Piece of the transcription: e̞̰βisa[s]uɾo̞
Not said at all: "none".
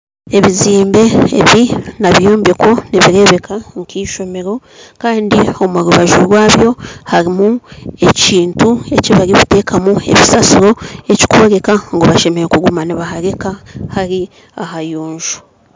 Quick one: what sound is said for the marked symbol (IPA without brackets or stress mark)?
s